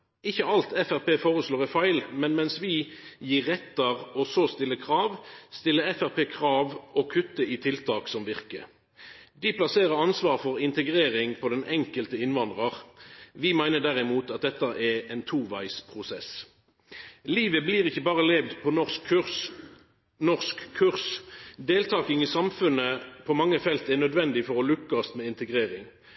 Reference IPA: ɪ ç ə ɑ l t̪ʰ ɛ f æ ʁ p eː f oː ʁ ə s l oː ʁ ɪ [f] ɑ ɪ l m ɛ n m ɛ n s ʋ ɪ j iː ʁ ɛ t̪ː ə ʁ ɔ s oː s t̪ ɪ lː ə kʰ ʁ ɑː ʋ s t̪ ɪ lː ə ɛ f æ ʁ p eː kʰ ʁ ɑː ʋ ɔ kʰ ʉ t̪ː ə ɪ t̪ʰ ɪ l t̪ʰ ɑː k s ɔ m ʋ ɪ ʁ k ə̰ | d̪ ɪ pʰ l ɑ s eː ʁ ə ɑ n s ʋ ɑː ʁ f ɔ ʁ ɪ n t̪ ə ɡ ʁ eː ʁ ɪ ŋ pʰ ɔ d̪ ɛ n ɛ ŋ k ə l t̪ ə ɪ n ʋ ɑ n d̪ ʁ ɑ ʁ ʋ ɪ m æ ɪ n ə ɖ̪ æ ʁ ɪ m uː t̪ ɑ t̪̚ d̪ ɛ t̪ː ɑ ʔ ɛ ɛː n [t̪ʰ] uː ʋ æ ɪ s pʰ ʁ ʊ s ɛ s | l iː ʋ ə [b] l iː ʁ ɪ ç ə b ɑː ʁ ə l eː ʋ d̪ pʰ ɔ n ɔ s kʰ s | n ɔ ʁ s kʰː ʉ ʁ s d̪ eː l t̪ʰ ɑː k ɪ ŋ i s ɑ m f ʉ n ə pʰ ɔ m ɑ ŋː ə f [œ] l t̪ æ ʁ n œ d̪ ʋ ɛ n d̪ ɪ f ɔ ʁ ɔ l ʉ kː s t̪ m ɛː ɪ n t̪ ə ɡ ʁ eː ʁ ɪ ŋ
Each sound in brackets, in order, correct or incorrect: correct, correct, correct, incorrect: ɛ

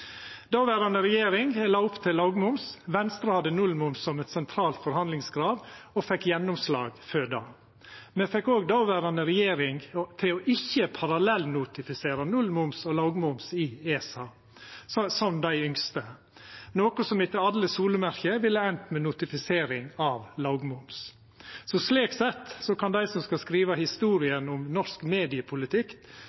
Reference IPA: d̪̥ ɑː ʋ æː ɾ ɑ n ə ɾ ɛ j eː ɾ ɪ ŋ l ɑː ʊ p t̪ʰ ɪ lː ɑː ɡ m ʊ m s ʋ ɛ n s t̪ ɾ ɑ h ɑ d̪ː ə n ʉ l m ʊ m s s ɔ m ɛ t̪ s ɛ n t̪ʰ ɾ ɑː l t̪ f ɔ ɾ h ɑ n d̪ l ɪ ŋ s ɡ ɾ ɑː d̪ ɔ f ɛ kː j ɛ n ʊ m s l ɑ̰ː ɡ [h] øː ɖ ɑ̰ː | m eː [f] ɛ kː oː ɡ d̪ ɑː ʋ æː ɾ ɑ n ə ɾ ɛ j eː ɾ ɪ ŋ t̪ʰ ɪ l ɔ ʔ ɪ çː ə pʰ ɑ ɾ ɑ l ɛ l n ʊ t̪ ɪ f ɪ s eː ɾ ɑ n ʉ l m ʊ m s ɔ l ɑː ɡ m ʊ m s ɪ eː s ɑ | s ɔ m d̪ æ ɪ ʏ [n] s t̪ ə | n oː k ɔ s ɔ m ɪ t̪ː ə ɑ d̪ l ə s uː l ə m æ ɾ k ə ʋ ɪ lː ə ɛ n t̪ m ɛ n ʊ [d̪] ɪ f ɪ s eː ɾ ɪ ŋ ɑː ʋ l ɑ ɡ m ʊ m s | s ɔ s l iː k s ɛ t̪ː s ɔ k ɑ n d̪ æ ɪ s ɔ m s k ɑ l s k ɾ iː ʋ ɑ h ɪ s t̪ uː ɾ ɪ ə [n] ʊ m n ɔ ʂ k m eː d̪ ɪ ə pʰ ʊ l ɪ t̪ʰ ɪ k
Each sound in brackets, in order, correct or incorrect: incorrect: f, correct, incorrect: ŋ, incorrect: t̪, correct

